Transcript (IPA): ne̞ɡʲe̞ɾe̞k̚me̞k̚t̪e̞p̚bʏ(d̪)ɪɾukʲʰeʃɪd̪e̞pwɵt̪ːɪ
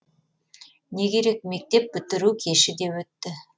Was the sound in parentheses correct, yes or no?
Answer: no